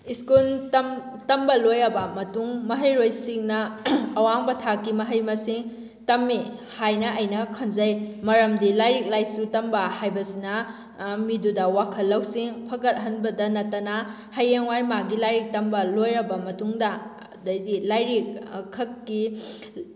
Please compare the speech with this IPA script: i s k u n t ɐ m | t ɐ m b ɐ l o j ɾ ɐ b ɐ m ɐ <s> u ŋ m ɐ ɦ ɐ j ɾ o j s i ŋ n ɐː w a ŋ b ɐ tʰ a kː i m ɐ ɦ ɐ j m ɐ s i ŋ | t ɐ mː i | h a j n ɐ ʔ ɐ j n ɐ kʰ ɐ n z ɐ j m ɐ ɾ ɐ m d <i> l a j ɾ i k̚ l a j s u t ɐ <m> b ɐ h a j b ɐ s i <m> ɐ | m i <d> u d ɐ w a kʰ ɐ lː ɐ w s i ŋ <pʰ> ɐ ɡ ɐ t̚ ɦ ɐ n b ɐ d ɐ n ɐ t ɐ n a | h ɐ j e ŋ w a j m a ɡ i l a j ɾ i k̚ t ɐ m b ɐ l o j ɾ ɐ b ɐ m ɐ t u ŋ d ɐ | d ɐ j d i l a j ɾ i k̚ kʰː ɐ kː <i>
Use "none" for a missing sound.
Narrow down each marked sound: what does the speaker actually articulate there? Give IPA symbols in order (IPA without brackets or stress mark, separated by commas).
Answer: t, i, m, n, d, pʰ, i